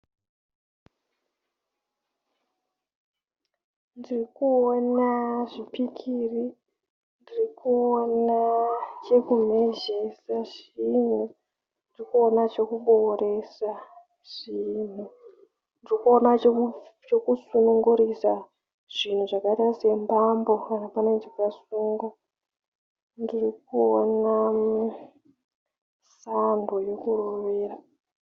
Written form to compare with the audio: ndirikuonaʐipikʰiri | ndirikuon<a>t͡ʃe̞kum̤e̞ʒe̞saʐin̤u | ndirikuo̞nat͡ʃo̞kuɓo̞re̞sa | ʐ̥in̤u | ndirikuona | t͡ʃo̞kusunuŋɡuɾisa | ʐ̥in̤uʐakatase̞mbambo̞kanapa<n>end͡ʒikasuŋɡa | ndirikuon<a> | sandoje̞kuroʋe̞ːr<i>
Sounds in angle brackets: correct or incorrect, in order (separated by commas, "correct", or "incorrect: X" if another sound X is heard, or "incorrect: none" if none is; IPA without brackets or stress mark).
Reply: correct, correct, correct, incorrect: a